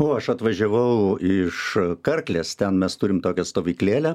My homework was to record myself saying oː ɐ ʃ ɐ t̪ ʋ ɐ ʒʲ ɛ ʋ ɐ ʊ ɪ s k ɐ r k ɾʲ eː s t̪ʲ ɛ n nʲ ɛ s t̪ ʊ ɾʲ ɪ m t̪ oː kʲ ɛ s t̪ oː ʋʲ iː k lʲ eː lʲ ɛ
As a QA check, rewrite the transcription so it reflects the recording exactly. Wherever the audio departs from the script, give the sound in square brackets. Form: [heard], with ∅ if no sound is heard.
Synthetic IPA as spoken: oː ɐ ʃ ɐ t̪ ʋ ɐ ʒʲ ɛ ʋ ɐ ʊ ɪ [ʃ] k ɐ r k [lʲ] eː s t̪ʲ ɛ n [mʲ] ɛ s t̪ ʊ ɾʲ ɪ m t̪ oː kʲ ɛ s t̪ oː ʋʲ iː k lʲ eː lʲ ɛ